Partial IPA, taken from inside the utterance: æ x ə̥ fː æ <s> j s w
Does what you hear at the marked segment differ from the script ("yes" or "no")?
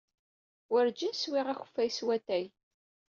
yes